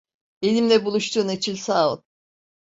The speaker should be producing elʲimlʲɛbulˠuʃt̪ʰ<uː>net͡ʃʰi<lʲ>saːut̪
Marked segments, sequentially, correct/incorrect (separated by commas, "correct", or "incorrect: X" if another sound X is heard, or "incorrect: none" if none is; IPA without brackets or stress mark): correct, correct